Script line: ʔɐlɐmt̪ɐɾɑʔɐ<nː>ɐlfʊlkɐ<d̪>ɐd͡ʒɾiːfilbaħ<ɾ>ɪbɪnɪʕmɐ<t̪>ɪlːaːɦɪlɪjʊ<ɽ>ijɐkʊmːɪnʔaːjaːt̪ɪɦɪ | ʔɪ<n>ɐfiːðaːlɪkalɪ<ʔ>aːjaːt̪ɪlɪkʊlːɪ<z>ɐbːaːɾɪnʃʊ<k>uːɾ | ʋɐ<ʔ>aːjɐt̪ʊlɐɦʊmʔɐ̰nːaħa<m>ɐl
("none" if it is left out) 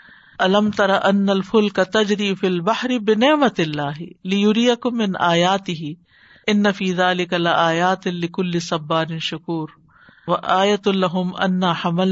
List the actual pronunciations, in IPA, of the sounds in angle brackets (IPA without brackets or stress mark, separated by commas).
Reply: nː, t̪, ɾ, t̪, ɾ, nː, ʔ, s, k, ʔ, m